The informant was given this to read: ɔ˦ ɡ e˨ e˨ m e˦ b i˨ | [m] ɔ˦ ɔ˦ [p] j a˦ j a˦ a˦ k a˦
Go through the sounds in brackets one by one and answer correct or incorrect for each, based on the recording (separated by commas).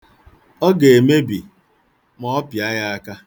correct, correct